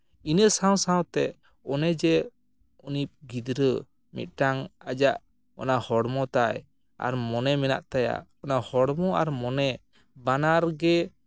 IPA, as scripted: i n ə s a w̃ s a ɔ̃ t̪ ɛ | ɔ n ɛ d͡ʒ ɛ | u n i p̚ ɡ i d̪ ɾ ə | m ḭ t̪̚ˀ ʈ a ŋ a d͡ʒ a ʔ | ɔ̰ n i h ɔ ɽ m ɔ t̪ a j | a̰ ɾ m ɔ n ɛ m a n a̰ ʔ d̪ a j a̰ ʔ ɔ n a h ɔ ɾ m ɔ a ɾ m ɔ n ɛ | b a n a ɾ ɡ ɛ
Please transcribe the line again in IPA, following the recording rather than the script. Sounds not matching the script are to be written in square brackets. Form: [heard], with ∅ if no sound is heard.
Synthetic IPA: i n ə s a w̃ s a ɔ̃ t̪ ɛ | ɔ n ɛ d͡ʒ ɛ | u n i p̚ ɡ i d̪ ɾ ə | m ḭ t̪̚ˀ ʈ a ŋ a d͡ʒ a ʔ | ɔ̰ n [a] h ɔ ɽ m ɔ t̪ a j | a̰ ɾ m ɔ n ɛ m [ɛ] n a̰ ʔ [t̪] a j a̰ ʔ ɔ n a h ɔ [ɽ] m ɔ a ɾ m ɔ n ɛ | b a n a ɾ ɡ ɛ